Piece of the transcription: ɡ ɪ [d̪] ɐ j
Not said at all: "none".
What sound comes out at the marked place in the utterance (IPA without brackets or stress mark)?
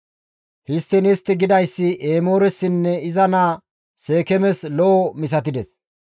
d̪